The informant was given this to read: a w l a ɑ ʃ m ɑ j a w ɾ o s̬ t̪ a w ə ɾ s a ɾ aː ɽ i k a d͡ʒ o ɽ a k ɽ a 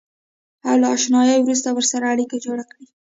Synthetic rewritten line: a w l a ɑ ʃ n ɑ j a w ɾ u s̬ t̪ a w ə ɾ s a ɾ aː ɽ i k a d͡ʒ o ɽ a k ɽ i